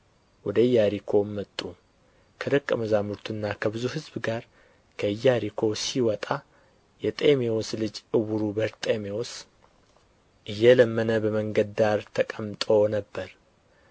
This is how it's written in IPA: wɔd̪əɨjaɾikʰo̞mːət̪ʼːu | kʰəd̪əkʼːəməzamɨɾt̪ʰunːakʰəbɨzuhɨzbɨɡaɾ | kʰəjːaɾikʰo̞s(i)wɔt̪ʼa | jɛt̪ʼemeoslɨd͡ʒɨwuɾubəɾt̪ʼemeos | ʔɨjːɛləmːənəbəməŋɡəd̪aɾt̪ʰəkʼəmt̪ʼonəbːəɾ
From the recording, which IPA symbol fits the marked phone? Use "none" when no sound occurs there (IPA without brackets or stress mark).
i